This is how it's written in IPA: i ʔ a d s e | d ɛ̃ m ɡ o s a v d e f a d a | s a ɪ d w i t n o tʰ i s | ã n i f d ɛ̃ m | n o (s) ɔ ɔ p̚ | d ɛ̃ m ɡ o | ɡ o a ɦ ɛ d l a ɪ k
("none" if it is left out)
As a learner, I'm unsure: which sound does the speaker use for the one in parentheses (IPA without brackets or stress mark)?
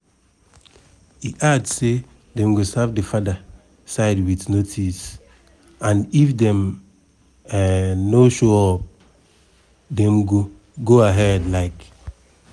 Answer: ʃ